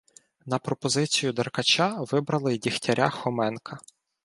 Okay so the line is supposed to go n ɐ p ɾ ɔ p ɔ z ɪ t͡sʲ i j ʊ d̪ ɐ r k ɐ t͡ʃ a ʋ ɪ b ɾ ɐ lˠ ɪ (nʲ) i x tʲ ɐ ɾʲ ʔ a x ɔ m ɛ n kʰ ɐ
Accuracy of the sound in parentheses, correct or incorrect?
incorrect